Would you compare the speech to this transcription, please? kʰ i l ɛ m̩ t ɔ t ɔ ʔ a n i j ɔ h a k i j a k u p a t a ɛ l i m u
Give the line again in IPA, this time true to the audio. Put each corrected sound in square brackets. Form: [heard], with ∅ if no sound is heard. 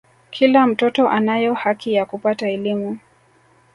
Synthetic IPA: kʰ i l [a] m̩ t ɔ t ɔ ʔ a n [a] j ɔ h a k i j a k u p a t a ɛ l i m u